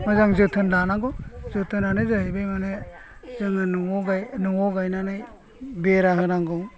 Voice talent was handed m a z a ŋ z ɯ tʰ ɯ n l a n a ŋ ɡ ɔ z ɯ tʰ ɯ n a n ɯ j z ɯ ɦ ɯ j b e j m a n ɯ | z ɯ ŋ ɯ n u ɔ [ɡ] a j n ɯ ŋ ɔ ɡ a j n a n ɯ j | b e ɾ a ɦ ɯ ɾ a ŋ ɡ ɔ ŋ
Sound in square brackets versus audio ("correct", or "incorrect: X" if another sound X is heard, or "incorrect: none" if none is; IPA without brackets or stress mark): correct